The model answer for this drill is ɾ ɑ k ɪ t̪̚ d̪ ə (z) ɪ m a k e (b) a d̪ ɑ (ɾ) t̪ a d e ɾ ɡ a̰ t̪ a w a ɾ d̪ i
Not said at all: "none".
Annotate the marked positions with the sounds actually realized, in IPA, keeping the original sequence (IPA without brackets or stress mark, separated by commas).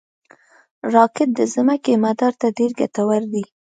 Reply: z, m, ɾ